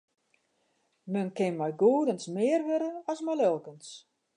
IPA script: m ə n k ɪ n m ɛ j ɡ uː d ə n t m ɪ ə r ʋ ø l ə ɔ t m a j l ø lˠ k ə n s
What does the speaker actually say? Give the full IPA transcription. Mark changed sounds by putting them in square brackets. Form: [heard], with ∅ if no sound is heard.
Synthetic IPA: m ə n k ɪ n m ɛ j ɡ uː d ə n [s] m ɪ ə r ʋ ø [ɾ] ə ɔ [s] m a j l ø lˠ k ə n s